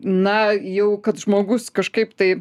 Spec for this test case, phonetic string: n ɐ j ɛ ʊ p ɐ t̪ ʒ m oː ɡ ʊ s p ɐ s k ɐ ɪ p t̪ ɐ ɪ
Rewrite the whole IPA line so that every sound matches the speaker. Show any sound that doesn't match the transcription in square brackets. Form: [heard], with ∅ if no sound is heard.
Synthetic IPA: n ɐ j ɛ ʊ [k] ɐ t̪ ʒ m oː ɡ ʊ s [k] ɐ [ʃ] k ɐ ɪ p t̪ ɐ ɪ